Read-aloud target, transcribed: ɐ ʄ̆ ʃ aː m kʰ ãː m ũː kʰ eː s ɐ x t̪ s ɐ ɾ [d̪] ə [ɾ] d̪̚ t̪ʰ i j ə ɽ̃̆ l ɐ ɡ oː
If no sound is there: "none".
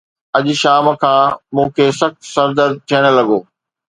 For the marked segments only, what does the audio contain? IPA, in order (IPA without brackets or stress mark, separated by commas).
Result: d̪, ɾ